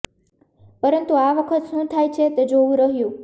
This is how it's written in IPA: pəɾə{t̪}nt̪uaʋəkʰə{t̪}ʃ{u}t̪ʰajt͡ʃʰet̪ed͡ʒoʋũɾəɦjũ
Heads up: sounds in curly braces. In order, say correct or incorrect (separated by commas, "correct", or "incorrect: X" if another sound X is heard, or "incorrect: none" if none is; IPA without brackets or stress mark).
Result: incorrect: none, correct, incorrect: ũ